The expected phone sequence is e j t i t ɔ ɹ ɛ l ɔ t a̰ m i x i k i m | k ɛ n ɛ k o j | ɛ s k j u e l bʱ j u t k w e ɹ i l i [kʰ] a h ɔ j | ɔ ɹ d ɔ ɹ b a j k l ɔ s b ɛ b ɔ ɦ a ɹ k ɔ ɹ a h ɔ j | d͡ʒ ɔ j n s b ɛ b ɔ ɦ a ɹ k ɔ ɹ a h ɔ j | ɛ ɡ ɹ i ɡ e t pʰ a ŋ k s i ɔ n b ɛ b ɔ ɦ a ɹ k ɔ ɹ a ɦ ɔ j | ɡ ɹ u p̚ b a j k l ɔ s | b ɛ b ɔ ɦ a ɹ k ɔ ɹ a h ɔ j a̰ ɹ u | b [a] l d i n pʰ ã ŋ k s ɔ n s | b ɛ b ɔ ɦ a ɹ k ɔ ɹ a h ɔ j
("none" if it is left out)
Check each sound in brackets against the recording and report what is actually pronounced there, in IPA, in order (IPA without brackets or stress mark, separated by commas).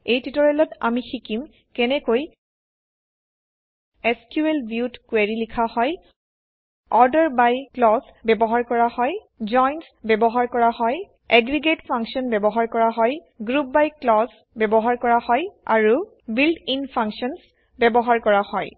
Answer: kʰ, i